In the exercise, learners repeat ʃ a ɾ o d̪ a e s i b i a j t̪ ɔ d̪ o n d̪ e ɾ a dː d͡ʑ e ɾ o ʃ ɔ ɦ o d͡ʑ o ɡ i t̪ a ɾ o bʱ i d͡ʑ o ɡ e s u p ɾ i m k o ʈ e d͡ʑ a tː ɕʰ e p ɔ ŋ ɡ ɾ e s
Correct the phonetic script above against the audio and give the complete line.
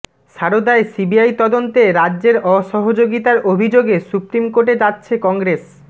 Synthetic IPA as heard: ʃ a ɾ o d̪ a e s i b i a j t̪ ɔ d̪ o n t̪ e ɾ a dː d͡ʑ e ɾ ɔ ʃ ɔ ɦ o d͡ʑ o ɡ i t̪ a ɾ o bʱ i d͡ʑ o ɡ e s u p ɾ i m k o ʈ e d͡ʑ a tː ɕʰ e k ɔ ŋ ɡ ɾ e s